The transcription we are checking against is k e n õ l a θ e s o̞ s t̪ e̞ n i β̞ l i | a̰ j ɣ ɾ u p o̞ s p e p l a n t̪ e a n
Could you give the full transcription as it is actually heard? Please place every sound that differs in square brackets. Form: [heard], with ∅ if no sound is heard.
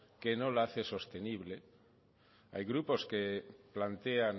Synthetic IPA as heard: k e n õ l a θ e s o̞ s t̪ e̞ n i β̞ l [e] | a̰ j ɣ ɾ u p o̞ s [k] e p l a n t̪ e a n